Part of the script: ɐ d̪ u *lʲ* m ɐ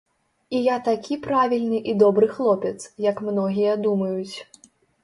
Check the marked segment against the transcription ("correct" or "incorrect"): incorrect